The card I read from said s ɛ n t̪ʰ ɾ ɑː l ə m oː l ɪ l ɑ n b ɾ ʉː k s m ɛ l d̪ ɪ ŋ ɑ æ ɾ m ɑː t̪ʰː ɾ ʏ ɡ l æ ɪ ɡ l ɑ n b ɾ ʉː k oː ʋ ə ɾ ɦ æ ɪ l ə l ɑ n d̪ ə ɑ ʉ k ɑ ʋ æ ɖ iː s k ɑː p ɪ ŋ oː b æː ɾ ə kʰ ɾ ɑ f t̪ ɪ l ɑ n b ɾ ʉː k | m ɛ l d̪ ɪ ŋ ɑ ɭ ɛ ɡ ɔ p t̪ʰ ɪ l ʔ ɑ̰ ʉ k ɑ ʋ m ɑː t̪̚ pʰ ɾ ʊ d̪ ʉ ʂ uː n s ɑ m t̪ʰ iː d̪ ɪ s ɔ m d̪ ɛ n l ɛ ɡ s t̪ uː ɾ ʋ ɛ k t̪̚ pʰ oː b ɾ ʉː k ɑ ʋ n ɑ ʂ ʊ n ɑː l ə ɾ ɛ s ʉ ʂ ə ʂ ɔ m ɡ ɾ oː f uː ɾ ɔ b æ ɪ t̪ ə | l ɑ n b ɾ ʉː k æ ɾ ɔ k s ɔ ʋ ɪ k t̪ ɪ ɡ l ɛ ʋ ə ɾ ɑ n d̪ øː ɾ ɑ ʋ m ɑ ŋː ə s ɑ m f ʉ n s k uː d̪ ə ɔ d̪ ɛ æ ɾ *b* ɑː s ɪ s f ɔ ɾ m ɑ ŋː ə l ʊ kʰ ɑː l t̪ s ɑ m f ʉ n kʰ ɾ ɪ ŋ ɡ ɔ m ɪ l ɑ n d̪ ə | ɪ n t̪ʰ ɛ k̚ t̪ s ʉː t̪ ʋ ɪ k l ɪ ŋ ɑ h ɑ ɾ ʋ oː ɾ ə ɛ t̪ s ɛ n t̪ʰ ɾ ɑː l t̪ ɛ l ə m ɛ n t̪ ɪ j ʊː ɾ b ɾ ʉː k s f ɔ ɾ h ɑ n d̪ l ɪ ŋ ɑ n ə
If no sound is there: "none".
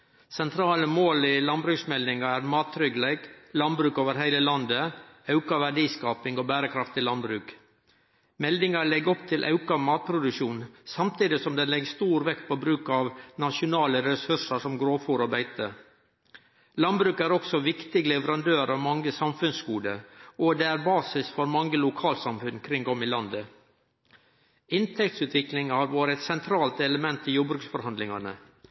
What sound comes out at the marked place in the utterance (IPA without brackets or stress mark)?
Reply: b